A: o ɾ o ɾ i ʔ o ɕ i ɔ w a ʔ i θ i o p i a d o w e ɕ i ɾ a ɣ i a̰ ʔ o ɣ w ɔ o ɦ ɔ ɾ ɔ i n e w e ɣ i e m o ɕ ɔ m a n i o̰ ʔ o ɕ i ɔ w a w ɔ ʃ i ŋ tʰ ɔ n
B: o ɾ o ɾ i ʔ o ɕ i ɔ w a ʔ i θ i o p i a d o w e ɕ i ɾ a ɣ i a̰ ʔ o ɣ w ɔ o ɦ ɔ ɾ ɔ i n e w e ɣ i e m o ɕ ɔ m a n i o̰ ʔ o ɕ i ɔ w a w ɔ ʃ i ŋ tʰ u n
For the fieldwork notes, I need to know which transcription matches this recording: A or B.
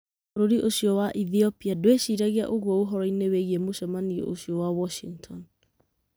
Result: A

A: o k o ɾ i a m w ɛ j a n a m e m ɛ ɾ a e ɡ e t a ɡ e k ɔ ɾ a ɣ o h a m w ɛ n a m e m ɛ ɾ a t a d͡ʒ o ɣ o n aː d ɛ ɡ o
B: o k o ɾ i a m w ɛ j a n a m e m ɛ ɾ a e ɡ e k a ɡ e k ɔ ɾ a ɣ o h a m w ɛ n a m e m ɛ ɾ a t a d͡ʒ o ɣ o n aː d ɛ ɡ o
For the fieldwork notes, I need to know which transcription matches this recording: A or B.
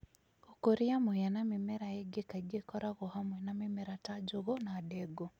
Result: B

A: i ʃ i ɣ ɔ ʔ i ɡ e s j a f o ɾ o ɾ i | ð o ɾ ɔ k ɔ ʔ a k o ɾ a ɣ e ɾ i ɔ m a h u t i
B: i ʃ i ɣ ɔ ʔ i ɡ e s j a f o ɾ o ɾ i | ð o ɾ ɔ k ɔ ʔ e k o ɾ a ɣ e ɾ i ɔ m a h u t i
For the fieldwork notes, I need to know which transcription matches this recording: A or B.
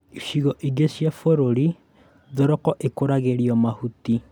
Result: B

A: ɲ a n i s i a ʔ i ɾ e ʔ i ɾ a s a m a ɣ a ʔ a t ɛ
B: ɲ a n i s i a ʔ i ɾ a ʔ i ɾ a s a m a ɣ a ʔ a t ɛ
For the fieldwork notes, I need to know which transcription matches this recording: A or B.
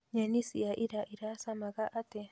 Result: B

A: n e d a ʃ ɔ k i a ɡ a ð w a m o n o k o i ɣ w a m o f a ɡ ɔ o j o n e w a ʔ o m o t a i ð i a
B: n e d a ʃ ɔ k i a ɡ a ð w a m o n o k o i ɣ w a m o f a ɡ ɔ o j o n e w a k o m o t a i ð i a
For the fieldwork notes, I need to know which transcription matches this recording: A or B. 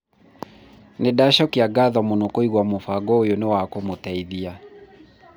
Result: B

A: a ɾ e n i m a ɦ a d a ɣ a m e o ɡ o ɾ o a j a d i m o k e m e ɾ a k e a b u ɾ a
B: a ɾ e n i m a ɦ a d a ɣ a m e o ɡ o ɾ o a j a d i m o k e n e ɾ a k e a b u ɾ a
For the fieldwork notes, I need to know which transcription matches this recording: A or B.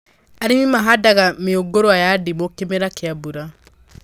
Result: A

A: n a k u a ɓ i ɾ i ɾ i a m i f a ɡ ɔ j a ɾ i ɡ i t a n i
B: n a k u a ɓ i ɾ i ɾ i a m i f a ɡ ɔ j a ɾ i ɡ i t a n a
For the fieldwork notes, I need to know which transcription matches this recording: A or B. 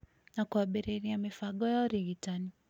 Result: A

